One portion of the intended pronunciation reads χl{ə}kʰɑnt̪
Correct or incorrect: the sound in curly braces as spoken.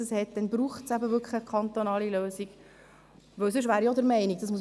correct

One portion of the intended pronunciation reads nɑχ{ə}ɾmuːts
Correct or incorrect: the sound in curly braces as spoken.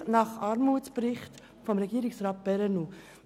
incorrect: ɑ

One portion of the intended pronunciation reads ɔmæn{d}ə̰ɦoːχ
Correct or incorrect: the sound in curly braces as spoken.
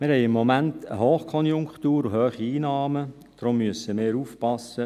incorrect: t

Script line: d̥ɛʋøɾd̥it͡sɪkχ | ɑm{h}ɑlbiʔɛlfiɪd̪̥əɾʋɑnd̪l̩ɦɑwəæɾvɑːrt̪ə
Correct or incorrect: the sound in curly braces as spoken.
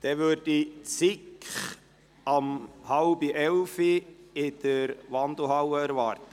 correct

